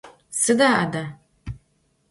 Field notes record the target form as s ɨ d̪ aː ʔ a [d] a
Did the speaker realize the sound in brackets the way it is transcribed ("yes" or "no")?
yes